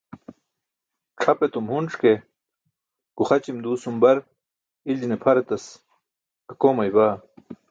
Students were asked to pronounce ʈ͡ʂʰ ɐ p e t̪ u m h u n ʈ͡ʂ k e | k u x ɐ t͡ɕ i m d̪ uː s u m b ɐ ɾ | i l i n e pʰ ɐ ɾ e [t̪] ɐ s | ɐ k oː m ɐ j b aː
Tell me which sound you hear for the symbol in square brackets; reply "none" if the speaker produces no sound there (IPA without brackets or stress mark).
t̪